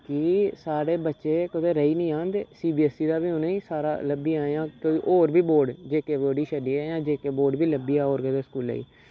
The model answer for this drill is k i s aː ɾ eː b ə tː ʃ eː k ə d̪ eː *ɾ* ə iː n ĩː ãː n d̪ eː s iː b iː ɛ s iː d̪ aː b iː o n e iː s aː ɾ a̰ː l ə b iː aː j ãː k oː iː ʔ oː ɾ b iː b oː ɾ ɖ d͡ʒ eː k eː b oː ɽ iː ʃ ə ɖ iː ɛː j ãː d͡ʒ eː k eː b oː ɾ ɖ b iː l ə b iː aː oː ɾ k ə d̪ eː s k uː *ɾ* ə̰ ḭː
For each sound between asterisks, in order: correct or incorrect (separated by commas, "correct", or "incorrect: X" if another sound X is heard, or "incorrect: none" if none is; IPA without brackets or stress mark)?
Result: correct, incorrect: l